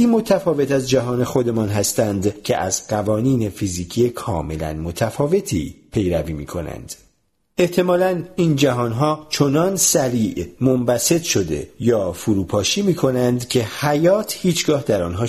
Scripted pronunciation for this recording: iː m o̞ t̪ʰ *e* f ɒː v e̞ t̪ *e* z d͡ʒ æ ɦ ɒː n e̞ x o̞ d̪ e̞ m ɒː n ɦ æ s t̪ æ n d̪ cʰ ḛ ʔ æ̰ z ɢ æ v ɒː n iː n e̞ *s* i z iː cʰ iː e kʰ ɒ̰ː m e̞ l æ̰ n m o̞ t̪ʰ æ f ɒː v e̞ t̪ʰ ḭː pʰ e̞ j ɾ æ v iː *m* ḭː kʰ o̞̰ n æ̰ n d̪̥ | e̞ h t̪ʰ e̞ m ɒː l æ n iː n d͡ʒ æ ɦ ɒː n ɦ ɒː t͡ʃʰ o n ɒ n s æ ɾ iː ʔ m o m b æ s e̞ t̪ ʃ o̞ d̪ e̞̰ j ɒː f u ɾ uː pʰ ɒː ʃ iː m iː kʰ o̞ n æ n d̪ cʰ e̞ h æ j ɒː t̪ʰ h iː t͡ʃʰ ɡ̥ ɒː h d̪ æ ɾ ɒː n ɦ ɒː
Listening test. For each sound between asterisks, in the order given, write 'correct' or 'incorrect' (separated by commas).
incorrect, incorrect, incorrect, correct